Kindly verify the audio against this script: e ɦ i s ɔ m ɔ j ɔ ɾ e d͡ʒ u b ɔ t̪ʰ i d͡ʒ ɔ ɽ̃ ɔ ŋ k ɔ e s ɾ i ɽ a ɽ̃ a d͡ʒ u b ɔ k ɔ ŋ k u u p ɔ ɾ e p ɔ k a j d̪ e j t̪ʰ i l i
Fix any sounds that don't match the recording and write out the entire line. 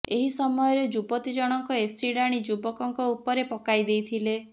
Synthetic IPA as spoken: e ɦ i s ɔ m ɔ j ɔ ɾ e d͡ʒ u b ɔ t̪ i d͡ʒ ɔ ɽ̃ ɔ ŋ k ɔ e s ɾ i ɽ a ɽ̃ i d͡ʒ u b ɔ k ɔ ŋ k ɔ u p ɔ ɾ e p ɔ k a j d̪ e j t̪ʰ i l e